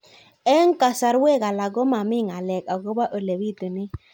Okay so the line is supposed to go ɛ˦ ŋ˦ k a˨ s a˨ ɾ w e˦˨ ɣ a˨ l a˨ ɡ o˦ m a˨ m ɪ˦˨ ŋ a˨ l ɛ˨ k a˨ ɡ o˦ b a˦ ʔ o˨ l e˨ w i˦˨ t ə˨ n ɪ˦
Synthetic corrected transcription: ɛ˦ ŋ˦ k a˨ s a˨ ɾ w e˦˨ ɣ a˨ l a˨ ɡ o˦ m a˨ m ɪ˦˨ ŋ a˨ l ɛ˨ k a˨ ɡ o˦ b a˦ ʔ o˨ l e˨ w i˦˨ t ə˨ n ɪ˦